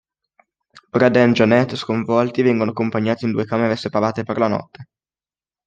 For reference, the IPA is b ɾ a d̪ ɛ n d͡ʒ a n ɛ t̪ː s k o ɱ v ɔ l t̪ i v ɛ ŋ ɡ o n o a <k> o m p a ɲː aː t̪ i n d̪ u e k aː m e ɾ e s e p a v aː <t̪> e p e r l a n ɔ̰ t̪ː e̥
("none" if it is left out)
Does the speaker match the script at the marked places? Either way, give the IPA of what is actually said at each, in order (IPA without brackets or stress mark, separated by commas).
k, t̪